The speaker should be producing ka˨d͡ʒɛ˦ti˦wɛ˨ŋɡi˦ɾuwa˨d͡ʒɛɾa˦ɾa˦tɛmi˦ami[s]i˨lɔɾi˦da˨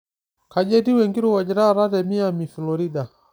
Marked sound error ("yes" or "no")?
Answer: yes